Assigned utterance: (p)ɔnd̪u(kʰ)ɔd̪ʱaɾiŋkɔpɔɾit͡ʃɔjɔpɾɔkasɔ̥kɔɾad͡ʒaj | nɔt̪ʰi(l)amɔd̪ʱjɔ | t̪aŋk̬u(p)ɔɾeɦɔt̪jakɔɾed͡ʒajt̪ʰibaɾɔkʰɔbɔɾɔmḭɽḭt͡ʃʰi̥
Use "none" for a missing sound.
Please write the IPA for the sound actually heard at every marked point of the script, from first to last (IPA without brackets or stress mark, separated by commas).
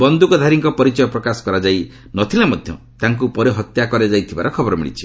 b, k, l, p